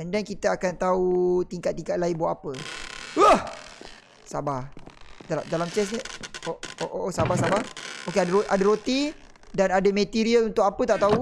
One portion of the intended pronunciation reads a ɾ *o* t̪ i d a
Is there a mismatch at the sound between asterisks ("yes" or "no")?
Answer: no